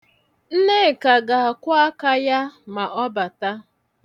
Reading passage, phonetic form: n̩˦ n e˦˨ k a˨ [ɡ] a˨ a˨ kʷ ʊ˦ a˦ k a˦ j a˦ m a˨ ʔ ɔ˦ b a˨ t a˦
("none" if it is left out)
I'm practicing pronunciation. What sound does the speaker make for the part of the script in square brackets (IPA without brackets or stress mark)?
ɡ